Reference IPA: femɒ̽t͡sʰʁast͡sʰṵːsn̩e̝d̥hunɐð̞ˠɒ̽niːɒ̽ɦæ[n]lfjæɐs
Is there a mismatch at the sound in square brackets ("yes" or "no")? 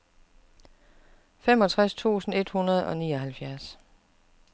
yes